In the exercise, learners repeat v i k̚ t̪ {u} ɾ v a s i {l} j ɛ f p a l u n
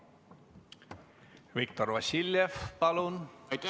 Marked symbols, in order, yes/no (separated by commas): no, yes